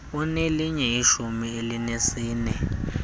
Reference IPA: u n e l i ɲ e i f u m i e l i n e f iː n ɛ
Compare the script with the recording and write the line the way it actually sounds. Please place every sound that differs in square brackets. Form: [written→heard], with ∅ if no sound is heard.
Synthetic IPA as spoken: u n e l i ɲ [e→ɛ] i [f→ʃ] u m i e l i n e [f→s] iː n ɛ